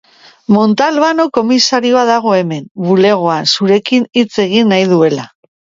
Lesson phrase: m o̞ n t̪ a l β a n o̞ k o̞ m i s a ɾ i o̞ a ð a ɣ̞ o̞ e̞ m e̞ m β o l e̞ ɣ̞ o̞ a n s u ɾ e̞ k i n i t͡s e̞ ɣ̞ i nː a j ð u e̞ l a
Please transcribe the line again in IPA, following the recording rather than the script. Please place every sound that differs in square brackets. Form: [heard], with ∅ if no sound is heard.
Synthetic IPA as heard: m o̞ n t̪ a l β a n o̞ k o̞ m i s a ɾ i o̞ a ð a ɣ̞ o̞ e̞ m e̞ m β [u] l e̞ ɣ̞ o̞ a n s u ɾ e̞ k i n i t͡s e̞ ɣ̞ i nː a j ð u e̞ l a